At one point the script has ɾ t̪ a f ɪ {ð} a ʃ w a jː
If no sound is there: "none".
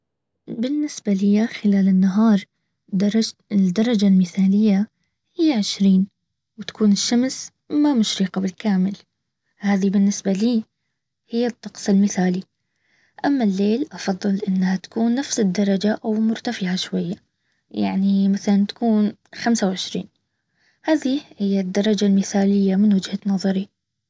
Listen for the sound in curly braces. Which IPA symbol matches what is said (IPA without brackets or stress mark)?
ʕ